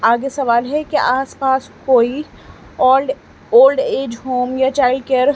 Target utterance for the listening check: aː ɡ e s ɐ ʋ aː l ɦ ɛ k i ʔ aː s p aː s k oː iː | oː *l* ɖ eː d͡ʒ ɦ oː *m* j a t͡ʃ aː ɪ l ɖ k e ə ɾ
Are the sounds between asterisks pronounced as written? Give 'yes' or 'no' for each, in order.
yes, yes

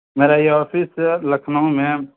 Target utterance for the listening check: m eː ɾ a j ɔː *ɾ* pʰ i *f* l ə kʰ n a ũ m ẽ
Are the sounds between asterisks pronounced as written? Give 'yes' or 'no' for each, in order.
no, no

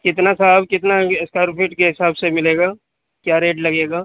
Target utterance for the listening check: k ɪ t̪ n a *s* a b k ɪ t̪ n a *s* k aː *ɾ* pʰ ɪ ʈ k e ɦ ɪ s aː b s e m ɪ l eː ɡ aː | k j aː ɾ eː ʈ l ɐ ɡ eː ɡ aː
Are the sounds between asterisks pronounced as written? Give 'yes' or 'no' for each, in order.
yes, yes, yes

